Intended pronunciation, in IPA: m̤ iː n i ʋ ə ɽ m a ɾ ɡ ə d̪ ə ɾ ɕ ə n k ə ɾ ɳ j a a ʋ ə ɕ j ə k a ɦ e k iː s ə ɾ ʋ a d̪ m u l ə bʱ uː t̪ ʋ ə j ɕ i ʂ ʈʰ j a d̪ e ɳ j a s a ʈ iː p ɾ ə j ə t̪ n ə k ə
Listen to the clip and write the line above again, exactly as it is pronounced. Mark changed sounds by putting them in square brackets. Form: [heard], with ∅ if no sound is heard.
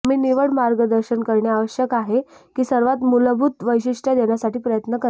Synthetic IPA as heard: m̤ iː n i ʋ ə ɽ m a ɾ ɡ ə d̪ ə ɾ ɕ ə n k ə ɾ ɳ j a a ʋ ə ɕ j ə k a ɦ e k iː s ə ɾ ʋ a [t̪] m u l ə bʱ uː t̪ ʋ ə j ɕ i ʂ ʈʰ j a d̪ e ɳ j a s a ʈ iː p ɾ ə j ə t̪ n ə k ə